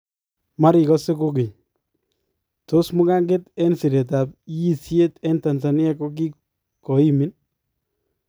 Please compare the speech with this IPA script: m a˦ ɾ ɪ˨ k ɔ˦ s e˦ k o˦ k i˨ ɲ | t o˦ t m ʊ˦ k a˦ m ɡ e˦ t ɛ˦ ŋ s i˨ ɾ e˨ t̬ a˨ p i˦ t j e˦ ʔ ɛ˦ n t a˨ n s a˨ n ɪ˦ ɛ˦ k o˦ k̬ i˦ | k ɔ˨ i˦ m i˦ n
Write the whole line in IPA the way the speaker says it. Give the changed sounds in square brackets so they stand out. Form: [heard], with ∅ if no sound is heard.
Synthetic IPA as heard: m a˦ ɾ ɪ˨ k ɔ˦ s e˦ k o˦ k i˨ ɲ | t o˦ [s] m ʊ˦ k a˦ [ŋ] ɡ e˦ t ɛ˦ [n] s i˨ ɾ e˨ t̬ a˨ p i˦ [s] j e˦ [t] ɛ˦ n t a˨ n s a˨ n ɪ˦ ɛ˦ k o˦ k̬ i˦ | k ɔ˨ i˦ m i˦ n

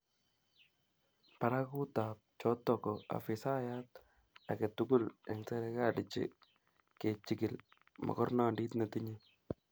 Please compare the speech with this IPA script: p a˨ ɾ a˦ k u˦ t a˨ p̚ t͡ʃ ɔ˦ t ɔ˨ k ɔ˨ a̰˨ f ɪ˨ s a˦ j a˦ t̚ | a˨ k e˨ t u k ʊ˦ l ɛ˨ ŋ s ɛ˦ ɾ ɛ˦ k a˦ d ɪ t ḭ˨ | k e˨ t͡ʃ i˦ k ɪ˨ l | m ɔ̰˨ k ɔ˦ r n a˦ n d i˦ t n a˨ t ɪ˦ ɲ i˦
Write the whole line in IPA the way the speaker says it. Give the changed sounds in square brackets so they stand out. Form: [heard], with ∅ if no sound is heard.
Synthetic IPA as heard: p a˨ ɾ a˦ k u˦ t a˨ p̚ t͡ʃ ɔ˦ t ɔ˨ k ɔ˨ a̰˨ f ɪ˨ s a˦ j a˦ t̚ | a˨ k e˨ t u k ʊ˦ l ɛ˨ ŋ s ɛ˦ ɾ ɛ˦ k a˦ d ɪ [t͡ʃ] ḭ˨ | k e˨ t͡ʃ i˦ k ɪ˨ l | m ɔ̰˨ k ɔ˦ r n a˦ n d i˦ t n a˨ t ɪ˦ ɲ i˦

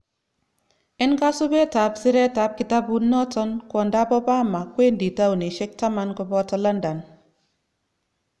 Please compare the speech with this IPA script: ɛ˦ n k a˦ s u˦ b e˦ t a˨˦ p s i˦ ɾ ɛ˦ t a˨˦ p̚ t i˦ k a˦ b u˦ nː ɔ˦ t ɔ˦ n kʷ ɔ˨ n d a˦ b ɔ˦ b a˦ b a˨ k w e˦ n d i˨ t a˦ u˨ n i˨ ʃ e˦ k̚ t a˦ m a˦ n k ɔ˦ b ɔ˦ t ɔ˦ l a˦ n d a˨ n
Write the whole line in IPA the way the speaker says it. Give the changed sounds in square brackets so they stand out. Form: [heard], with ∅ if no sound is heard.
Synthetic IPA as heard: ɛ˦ n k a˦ s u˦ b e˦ t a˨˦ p s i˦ ɾ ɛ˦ t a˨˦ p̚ [k] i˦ [t] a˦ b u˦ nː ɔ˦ t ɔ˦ n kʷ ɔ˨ n d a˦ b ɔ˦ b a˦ [m] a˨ k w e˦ n d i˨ t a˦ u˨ n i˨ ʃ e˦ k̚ t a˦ m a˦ n k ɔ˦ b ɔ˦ t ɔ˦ l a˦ n d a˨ n

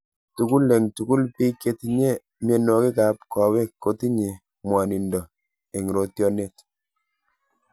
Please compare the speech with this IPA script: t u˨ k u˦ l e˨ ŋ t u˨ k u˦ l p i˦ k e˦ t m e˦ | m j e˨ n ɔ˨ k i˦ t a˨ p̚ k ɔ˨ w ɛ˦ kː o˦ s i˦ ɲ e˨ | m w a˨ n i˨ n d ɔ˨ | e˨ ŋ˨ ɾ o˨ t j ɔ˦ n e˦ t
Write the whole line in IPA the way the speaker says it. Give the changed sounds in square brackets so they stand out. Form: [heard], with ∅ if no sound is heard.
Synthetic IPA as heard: t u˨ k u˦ l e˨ ŋ t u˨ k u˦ l p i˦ k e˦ t [ɲ] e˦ | m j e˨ n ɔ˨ k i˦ [k] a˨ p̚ k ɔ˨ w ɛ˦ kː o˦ [t] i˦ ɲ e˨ | m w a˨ n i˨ n d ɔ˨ | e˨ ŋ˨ ɾ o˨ t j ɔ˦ n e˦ t

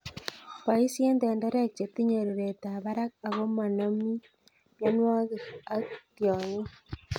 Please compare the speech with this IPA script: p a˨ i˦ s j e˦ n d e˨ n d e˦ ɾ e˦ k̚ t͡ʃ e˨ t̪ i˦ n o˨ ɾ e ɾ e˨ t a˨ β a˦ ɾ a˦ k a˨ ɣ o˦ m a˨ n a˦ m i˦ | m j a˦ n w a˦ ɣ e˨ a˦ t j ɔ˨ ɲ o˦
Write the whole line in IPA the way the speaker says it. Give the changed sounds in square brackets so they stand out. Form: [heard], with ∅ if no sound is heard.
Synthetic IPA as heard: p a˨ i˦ s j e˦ n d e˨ n d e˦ ɾ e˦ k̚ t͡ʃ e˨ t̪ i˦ [ɲ] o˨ ɾ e ɾ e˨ t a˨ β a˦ ɾ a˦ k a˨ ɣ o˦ m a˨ n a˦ m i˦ | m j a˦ n w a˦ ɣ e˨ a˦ t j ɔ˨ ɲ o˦

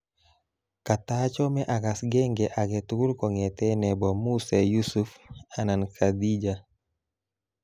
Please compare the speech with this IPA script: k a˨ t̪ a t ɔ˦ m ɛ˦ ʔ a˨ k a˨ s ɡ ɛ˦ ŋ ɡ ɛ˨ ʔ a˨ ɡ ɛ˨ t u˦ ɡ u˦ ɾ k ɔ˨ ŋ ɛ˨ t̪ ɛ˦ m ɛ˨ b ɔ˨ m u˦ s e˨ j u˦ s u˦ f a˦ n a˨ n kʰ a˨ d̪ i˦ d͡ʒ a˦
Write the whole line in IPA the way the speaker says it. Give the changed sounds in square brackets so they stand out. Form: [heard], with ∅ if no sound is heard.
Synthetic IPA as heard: k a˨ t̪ a [t͡ʃ] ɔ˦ m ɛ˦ ʔ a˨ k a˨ s ɡ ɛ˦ ŋ ɡ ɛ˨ ʔ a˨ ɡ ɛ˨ t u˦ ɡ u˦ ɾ k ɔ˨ ŋ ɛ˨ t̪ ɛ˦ [n] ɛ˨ b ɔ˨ m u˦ s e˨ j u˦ s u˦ f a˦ n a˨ n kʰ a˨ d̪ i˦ d͡ʒ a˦

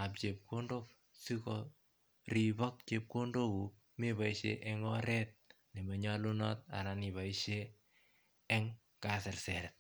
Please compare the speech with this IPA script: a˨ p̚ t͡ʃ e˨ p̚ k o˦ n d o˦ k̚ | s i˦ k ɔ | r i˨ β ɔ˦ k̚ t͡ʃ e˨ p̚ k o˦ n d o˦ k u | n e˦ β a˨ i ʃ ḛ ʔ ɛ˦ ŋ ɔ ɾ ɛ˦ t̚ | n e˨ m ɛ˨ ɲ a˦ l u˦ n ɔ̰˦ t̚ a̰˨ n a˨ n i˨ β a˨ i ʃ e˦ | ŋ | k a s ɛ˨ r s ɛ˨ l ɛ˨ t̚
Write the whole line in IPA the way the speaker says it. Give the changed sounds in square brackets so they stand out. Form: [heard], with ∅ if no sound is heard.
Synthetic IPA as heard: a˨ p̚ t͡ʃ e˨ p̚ k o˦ n d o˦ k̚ | s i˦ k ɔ | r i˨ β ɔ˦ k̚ t͡ʃ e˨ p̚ k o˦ n d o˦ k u | [m] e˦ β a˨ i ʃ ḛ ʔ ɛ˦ ŋ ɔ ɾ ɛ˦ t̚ | n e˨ m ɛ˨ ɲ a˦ l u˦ n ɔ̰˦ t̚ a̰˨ n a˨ n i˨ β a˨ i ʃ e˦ | ŋ | k a s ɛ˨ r s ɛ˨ [ɾ] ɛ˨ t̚

